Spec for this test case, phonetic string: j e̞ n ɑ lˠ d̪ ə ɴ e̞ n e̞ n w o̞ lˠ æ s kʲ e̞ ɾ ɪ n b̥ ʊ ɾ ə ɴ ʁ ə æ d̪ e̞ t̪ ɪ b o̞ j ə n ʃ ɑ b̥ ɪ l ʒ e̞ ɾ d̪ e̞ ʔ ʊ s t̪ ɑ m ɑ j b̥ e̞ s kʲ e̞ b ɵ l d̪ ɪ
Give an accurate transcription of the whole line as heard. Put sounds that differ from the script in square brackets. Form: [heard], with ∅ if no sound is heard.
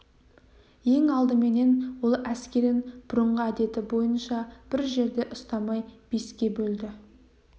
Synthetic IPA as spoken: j e̞ [ŋ] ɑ lˠ d̪ ə [m] e̞ n e̞ n w o̞ lˠ æ s kʲ e̞ ɾ ɪ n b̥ ʊ ɾ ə ɴ ʁ ə æ d̪ e̞ t̪ ɪ b o̞ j ə n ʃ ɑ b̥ ɪ [ɾ] ʒ e̞ ɾ d̪ e̞ ʔ ʊ s t̪ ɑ m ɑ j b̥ e̞ s kʲ e̞ b ɵ l d̪ ɪ